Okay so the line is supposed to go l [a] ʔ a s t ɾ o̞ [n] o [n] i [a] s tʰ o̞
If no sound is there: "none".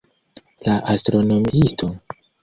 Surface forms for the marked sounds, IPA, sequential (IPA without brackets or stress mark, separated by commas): a, n, m, i